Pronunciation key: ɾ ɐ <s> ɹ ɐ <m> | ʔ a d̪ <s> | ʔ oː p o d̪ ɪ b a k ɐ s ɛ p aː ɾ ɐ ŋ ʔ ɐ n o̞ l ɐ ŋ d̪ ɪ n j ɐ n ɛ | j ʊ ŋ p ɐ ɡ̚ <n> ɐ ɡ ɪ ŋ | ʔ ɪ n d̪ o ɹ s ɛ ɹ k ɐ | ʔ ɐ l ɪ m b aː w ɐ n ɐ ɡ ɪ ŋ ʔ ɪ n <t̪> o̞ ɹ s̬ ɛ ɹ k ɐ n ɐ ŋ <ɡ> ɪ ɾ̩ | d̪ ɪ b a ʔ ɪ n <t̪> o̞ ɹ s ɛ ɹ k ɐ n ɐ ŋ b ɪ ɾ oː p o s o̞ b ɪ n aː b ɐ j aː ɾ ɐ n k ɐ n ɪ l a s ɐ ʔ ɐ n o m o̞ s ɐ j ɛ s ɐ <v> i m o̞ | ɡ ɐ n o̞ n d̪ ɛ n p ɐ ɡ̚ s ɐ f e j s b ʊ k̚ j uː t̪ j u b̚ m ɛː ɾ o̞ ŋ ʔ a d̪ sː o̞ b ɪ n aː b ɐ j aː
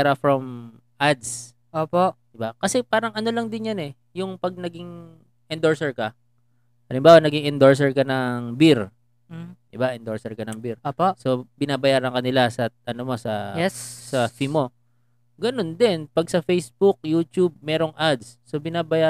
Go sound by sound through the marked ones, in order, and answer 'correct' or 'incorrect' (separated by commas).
incorrect, correct, correct, correct, incorrect, incorrect, incorrect, incorrect